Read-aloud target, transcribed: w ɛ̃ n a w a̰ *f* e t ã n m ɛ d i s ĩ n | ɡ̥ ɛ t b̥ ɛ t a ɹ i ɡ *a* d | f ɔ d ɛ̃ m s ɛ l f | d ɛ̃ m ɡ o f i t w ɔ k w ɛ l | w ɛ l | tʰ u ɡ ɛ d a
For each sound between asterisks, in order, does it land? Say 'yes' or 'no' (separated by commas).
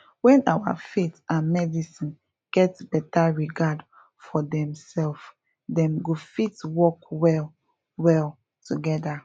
yes, yes